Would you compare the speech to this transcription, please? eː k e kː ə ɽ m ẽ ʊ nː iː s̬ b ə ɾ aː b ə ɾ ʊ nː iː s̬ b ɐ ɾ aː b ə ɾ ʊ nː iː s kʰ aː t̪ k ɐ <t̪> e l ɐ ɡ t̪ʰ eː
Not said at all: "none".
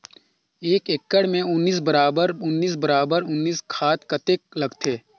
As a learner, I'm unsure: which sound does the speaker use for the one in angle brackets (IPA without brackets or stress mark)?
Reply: t̪